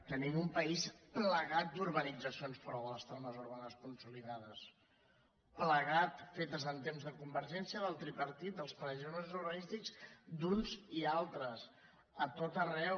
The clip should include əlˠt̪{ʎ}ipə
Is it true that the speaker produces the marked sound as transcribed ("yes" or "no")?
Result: no